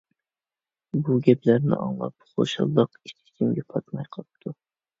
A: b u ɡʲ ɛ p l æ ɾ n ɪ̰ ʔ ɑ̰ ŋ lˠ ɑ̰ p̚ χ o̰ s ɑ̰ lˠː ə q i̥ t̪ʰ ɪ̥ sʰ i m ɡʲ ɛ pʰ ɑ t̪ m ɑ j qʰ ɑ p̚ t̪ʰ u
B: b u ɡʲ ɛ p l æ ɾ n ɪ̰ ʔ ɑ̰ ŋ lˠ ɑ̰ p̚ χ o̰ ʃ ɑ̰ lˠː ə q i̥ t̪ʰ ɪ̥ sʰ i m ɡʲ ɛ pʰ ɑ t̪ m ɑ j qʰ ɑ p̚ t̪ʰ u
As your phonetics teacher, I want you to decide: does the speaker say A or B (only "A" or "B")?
B